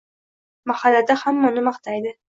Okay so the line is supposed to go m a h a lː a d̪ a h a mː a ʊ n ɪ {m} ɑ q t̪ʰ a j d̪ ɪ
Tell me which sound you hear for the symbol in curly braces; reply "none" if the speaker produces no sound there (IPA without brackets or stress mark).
m